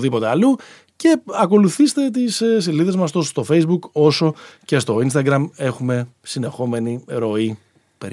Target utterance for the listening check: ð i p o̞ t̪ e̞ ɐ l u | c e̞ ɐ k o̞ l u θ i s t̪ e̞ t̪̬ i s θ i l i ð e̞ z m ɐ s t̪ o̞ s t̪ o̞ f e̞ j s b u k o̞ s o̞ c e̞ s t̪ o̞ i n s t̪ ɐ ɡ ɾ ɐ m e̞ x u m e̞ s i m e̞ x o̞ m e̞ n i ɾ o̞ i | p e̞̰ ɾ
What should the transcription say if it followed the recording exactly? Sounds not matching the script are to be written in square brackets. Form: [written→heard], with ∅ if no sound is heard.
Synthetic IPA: ð i p o̞ t̪ e̞ ɐ l u | c e̞ ɐ k o̞ l u θ i s t̪ e̞ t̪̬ i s [θ→s] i l i ð e̞ z m ɐ s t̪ o̞ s t̪ o̞ f e̞ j [s→z] b u k o̞ s o̞ c e̞ s t̪ o̞ i n s t̪ ɐ ɡ ɾ ɐ m e̞ x u m e̞ s i [m→n] e̞ x o̞ m e̞ n i ɾ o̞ i | p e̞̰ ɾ